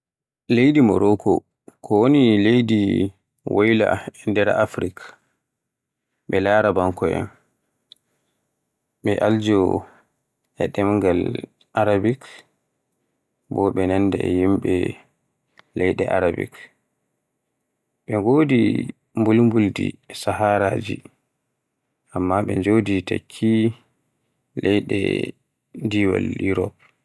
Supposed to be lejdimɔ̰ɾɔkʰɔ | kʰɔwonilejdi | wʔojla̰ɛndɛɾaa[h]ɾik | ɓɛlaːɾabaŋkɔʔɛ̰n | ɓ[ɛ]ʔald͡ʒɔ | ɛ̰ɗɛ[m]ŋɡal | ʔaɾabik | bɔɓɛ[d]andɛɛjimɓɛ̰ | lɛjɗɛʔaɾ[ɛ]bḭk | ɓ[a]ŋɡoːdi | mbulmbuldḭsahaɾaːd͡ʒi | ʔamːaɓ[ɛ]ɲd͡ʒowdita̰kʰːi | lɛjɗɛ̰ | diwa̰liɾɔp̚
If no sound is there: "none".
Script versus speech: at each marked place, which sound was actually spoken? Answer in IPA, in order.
f, ɛ, m, n, a, ɛ, ɛ

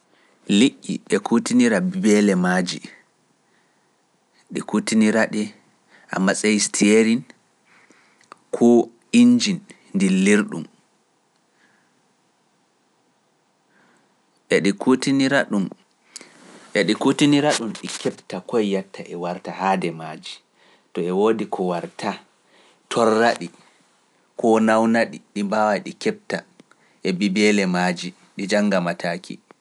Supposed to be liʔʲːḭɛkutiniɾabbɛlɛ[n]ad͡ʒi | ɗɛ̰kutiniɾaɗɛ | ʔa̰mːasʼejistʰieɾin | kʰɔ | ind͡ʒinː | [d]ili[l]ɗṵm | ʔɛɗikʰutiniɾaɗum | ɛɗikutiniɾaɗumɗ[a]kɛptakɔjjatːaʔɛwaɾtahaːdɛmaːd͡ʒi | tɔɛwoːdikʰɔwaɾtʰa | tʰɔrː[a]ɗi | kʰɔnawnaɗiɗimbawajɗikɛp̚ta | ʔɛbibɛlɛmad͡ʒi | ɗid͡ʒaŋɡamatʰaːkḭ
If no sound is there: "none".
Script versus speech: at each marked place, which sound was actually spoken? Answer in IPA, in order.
m, d, ɾ, i, a

